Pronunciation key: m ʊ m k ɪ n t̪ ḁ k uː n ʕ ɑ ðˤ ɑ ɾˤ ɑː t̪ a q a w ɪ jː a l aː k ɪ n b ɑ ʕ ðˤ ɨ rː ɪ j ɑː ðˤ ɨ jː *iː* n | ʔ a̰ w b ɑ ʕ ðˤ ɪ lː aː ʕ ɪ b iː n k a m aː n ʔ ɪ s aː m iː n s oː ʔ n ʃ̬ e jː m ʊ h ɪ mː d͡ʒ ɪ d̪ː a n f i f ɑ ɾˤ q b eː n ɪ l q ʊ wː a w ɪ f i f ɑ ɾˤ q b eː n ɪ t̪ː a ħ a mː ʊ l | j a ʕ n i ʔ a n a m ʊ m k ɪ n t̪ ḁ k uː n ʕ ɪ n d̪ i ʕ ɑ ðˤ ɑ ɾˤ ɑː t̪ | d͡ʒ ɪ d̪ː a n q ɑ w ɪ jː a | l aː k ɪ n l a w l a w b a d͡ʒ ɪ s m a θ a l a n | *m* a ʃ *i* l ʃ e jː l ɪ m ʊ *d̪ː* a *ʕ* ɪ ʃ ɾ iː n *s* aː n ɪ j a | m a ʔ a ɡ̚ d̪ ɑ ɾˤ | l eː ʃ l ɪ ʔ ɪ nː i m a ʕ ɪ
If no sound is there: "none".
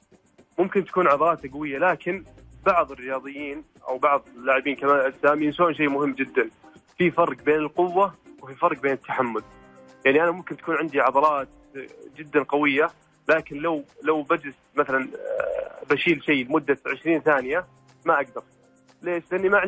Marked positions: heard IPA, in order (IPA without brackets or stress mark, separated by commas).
iː, b, iː, d̪ː, ʕ, θ